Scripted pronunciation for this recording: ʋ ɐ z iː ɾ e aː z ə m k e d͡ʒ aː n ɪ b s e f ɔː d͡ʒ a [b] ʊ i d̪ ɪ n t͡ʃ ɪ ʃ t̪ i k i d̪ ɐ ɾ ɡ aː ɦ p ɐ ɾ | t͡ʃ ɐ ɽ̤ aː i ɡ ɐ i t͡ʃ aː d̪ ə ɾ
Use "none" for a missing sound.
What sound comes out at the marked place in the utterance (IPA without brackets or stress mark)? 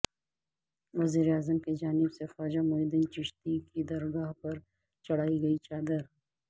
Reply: m